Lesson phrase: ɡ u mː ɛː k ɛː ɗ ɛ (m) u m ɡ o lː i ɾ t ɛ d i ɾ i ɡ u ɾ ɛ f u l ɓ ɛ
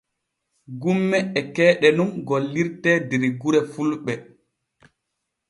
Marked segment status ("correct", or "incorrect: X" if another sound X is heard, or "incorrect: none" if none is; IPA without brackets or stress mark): incorrect: n